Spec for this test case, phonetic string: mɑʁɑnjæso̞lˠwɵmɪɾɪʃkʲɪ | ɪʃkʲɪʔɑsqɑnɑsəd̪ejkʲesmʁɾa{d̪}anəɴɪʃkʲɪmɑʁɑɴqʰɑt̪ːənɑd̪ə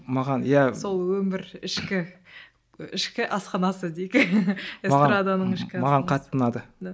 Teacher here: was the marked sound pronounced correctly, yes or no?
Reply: yes